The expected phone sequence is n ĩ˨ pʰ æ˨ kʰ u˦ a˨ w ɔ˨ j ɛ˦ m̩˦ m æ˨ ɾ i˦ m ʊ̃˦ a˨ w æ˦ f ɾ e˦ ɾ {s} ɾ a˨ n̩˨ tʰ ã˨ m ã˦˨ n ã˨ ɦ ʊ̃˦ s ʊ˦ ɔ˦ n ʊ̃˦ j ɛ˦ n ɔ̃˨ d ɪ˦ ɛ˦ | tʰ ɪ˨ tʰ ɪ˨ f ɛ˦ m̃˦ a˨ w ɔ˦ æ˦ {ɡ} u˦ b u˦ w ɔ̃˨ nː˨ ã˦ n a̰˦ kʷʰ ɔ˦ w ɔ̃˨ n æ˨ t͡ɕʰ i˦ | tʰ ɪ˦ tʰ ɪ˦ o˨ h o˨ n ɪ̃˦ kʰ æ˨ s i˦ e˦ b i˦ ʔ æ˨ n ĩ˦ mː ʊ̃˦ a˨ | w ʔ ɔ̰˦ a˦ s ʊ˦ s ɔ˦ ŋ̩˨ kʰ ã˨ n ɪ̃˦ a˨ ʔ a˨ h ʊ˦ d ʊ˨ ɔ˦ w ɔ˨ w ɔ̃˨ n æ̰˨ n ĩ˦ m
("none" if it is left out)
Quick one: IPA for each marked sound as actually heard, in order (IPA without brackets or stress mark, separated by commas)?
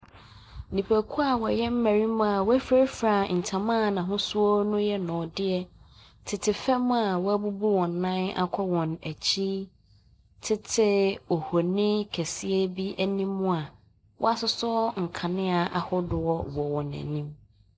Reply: f, b